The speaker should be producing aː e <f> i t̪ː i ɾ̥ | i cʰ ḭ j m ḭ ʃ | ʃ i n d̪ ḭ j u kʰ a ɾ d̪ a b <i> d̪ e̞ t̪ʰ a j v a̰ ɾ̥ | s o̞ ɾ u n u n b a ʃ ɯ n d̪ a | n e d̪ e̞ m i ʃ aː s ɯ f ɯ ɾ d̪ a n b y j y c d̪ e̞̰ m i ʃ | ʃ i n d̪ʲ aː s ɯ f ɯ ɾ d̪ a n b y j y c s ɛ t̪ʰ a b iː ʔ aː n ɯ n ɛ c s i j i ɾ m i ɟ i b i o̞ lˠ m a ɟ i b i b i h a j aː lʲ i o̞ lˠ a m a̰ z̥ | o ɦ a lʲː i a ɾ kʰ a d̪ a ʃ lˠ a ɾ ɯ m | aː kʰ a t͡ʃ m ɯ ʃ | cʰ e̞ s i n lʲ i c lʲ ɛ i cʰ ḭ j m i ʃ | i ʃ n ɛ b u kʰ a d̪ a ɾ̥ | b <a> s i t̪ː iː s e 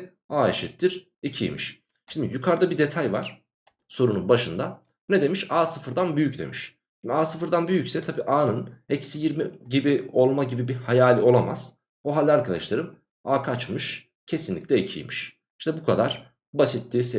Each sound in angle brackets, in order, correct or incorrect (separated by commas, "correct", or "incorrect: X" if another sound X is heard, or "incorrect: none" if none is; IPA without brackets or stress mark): incorrect: ʃ, correct, correct